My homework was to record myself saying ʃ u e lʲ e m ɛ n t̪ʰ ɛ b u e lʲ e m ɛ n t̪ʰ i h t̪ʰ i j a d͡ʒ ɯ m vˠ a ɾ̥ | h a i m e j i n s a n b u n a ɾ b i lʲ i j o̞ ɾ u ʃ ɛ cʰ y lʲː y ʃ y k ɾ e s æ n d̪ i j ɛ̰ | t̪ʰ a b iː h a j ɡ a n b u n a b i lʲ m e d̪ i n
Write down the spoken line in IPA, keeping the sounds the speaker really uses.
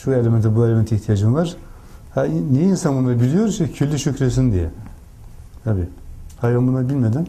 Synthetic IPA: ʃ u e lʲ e m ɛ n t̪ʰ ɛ b u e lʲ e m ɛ n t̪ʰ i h t̪ʰ i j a d͡ʒ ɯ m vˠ a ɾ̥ | h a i n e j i n s a n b u n a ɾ b i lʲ i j o̞ ɾ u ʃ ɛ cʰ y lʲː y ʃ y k ɾ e s i n d̪ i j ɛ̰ | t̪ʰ a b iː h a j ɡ a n b u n a b i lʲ m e d̪ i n